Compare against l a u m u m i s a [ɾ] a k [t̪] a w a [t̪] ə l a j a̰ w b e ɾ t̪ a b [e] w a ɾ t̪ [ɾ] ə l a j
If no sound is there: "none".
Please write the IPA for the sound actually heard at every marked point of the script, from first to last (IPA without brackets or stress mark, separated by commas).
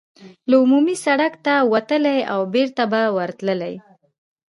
ɽ, t̪, t̪, a, l